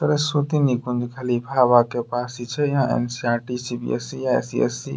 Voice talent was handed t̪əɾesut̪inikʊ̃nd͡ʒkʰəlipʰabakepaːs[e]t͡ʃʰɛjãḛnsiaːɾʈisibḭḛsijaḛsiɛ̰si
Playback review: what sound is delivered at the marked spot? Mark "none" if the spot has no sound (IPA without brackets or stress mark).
i